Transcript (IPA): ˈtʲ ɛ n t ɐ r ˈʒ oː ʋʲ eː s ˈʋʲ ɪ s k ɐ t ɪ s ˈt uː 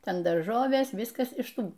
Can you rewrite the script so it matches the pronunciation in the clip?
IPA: ˈtʲ ɛ n d ɐ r ˈʒ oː ʋʲ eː s ˈʋʲ ɪ s k ɐ s ɪ ʃ ˈt uː